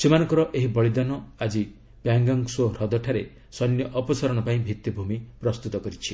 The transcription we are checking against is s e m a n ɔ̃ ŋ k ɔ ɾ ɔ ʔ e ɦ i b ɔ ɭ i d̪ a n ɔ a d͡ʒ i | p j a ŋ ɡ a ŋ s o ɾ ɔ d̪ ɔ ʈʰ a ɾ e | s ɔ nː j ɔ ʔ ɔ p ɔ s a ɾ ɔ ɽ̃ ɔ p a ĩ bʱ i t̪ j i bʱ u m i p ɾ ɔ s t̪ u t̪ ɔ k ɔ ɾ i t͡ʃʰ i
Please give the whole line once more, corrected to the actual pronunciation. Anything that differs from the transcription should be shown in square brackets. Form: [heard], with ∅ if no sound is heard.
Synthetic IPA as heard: s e m a n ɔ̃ ŋ k ɔ ɾ ɔ ʔ e ɦ i b ɔ ɭ i d̪ a n ɔ a d͡ʒ i | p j a ŋ ɡ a ŋ s o ɾ ɔ d̪ ɔ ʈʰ a ɾ e | s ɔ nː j ɔ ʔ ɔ p ɔ s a ɾ ɔ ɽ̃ ɔ p a ĩ bʱ i t̪ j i bʱ u m i p ɾ ɔ s t̪ u t̪ ɔ k ɔ ɾ i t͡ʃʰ i